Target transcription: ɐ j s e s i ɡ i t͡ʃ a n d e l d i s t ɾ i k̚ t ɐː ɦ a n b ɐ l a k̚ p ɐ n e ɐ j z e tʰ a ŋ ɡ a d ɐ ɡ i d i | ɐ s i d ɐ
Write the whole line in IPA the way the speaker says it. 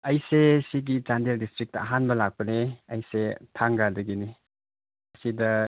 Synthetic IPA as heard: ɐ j s e s i ɡ i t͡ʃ a n d e l d i s t ɾ i k̚ t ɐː ɦ a n b ɐ l a k̚ p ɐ n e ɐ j s e tʰ a ŋ ɡ a d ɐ ɡ i n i | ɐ s i d ɐ